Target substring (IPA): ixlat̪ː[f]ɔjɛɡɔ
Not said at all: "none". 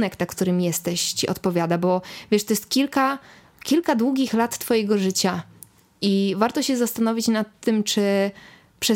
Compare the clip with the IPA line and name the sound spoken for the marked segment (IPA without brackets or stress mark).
f